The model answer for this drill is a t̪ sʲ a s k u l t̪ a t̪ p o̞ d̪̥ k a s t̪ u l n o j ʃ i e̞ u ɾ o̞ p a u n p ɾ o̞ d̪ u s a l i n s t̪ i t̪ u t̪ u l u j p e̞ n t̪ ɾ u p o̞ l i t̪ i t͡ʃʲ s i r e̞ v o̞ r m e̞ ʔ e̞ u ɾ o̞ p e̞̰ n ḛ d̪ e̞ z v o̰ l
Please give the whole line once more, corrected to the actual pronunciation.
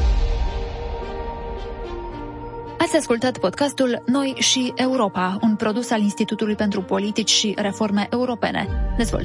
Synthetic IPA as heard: a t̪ sʲ a s k u l t̪ a t̪ p o̞ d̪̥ k a s t̪ u l n o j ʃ i e̞ u ɾ o̞ p a u n p ɾ o̞ d̪ u s a l i n s t̪ i t̪ u t̪ u l u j p e̞ n t̪ ɾ u p o̞ l i t̪ i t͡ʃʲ ʃ i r e̞ f o̞ r m e̞ ʔ e̞ u ɾ o̞ p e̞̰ n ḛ d̪ e̞ z v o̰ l